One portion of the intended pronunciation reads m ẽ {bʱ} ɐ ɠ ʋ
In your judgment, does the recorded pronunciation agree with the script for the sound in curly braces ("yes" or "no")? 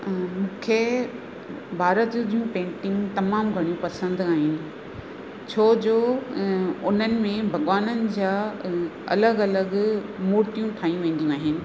yes